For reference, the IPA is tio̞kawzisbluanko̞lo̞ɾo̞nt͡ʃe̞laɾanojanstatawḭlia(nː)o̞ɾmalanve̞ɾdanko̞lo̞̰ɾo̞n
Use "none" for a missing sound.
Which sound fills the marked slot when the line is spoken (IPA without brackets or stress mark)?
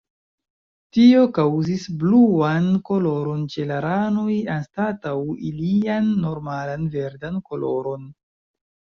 nː